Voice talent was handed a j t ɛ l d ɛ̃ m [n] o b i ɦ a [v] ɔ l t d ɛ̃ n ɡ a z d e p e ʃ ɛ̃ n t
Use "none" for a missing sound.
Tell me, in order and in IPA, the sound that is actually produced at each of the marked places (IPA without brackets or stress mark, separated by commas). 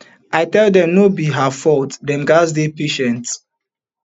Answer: n, f